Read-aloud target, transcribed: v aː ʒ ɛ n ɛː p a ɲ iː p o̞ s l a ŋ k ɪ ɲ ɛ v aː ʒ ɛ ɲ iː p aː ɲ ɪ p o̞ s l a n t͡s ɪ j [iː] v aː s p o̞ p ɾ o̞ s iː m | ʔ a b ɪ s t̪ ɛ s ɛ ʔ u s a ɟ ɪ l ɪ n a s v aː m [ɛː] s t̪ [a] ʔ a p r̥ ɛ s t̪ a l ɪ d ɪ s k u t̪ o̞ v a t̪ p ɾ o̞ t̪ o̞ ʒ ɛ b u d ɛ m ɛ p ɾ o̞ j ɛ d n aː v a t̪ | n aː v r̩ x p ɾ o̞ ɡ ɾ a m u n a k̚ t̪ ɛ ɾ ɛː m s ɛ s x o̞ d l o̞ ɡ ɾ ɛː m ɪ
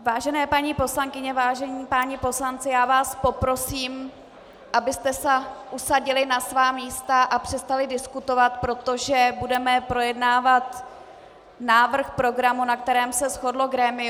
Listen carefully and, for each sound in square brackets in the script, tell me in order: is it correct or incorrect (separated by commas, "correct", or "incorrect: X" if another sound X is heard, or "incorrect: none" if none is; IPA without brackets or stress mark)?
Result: incorrect: aː, incorrect: iː, correct